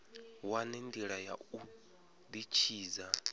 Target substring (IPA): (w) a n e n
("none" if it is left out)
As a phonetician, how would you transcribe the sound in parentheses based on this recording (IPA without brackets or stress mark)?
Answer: w